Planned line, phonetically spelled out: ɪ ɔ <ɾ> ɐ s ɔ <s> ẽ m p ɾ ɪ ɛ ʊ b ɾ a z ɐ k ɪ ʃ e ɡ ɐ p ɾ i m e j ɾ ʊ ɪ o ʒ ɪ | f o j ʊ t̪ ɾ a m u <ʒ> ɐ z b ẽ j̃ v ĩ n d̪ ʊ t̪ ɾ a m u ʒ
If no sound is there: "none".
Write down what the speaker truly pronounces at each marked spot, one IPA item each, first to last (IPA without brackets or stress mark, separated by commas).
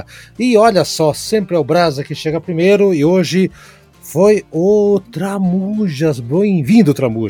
ʎ, s, ʒ